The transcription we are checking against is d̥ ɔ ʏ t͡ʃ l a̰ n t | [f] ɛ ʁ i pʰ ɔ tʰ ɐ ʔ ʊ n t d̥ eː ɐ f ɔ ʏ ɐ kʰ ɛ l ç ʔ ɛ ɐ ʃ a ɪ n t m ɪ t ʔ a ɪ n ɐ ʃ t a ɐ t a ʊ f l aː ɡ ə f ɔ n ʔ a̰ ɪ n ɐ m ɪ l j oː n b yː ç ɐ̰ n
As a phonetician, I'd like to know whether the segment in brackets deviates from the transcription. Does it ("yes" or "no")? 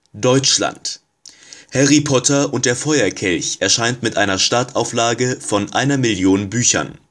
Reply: yes